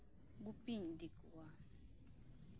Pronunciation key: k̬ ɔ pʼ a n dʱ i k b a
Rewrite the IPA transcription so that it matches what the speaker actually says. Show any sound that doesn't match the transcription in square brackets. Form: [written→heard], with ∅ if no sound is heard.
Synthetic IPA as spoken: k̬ [ɔ→u] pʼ [a→i] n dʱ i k [b→w] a